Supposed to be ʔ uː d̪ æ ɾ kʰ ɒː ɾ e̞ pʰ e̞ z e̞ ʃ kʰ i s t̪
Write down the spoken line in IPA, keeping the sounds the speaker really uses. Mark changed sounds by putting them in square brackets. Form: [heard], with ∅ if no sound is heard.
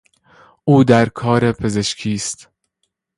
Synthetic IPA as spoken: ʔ uː d̪ æ ɾ kʰ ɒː ɾ e̞ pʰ e̞ z e̞ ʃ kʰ [iː] s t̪